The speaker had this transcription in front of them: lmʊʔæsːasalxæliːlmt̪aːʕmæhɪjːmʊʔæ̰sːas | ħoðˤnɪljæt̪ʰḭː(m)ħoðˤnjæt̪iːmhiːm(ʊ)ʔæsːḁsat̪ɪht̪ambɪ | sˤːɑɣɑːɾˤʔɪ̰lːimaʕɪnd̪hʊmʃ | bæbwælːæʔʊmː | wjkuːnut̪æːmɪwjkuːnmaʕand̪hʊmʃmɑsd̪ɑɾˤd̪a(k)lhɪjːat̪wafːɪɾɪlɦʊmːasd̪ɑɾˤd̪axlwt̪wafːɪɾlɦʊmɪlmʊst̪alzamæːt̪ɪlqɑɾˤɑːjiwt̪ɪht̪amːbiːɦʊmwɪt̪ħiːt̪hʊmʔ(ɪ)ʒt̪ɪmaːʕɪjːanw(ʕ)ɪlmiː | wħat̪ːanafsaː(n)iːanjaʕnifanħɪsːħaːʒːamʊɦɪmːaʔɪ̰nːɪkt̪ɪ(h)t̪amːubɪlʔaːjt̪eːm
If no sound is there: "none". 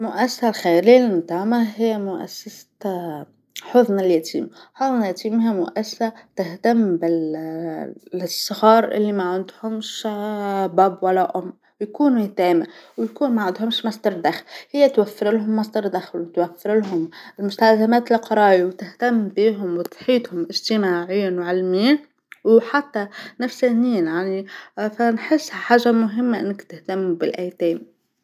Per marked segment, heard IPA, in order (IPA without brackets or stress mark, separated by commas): m, ʊ, x, ɪ, ʕ, n, h